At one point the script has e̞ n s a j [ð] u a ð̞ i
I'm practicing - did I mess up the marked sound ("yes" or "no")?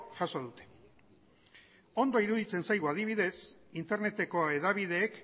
yes